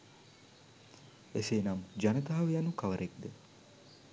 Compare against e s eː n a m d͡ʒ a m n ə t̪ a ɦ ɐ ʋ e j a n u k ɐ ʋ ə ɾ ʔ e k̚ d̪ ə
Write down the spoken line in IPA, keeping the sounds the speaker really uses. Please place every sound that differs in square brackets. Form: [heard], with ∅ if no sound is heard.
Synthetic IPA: e s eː n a m d͡ʒ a [∅] n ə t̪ a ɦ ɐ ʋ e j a n u k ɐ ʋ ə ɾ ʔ e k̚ d̪ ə